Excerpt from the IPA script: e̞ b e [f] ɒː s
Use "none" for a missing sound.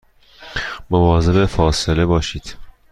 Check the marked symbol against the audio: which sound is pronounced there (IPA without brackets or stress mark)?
f